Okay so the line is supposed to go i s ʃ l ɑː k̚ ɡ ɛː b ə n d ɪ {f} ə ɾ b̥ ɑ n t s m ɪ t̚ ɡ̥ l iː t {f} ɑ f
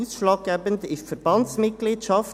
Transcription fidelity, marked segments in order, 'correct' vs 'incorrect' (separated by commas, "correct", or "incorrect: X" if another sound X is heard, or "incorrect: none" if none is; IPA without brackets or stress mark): correct, incorrect: ʃ